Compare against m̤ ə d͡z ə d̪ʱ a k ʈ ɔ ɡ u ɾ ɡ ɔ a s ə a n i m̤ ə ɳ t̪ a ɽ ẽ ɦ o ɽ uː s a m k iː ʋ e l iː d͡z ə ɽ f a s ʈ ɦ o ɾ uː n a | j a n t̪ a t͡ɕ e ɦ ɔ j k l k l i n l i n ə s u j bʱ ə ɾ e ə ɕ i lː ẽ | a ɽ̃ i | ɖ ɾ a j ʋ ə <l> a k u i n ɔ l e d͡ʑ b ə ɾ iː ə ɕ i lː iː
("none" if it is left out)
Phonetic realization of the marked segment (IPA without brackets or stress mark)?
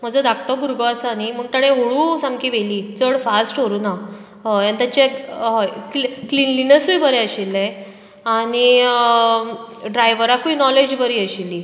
ɾ